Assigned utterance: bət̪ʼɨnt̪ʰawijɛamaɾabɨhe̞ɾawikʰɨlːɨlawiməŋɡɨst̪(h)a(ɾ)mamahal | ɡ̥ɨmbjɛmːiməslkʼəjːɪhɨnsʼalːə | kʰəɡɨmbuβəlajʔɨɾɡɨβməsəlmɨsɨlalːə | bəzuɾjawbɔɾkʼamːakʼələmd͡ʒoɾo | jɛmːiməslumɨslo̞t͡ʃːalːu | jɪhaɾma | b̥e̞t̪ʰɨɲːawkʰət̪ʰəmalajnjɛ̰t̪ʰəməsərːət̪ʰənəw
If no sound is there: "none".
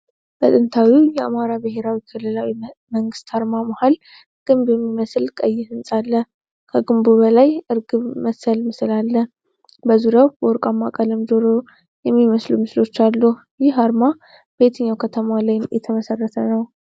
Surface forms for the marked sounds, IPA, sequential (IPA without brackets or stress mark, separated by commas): h, ɾ